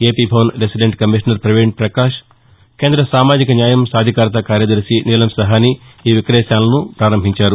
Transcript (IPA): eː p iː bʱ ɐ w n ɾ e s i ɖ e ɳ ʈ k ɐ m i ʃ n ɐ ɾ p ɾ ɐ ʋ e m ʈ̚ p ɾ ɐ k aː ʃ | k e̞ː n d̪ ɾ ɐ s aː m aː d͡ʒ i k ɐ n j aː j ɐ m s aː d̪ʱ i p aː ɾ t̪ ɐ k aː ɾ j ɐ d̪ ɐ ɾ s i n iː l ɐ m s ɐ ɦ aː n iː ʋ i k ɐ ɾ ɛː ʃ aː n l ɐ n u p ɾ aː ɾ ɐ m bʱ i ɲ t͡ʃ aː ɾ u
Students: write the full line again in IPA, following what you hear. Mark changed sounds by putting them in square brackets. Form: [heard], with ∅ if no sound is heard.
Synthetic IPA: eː p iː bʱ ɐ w n ɾ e s i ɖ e ɳ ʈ k ɐ m i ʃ n ɐ ɾ p ɾ ɐ ʋ e [ɳ] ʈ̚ p ɾ ɐ k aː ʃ | k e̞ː n d̪ ɾ ɐ s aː m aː d͡ʒ i k ɐ n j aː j ɐ m s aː d̪ʱ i [k] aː ɾ t̪ ɐ k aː ɾ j ɐ d̪ ɐ ɾ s i n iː l ɐ m s ɐ ɦ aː n iː ʋ i k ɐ ɾ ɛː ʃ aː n l ɐ n u p ɾ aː ɾ ɐ m bʱ i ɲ t͡ʃ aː ɾ u